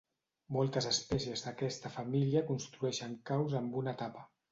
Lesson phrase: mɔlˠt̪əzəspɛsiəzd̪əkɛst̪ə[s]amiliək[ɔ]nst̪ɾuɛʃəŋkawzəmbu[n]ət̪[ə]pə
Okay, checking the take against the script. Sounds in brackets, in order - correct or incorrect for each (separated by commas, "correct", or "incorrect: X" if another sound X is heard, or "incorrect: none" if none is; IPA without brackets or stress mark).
incorrect: f, incorrect: u, correct, incorrect: a